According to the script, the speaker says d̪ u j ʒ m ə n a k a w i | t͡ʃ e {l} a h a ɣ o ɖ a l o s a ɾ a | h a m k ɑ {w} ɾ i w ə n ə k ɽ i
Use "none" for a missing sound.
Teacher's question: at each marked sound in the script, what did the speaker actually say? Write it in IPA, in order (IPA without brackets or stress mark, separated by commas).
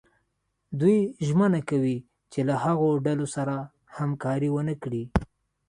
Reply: l, none